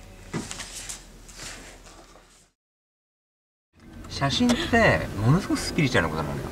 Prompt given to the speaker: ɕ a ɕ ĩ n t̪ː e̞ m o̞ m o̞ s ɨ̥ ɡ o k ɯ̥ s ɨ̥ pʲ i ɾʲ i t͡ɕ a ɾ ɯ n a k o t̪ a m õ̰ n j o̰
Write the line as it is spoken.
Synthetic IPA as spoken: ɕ a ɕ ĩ n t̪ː e̞ m o̞ n o̞ s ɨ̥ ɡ o k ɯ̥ s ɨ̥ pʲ i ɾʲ i t͡ɕ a ɾ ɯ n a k o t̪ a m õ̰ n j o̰